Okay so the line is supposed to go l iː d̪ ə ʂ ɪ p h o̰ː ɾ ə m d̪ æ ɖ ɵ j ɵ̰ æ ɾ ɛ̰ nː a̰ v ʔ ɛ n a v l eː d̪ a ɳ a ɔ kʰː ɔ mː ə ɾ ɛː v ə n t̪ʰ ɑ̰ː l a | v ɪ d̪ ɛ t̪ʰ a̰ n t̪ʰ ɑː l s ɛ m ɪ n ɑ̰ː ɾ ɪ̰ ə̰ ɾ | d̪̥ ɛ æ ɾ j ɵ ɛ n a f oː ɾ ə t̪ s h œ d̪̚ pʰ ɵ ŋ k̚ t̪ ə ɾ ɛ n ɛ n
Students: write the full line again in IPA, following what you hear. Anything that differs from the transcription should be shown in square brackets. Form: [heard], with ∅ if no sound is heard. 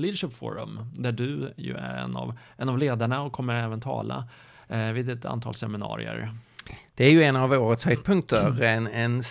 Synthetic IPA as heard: l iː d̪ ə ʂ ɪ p [f] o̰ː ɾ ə m d̪ æ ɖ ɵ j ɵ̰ æ ɾ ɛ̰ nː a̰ v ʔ ɛ n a v l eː d̪ a ɳ a ɔ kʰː ɔ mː ə ɾ ɛː v ə n t̪ʰ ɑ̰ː l a | v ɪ d̪ ɛ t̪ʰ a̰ n t̪ʰ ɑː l s ɛ m ɪ n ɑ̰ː ɾ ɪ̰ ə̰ ɾ | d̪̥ ɛ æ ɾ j ɵ ɛ n a [v] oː ɾ ə t̪ s h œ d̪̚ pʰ ɵ ŋ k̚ t̪ ə ɾ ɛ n ɛ n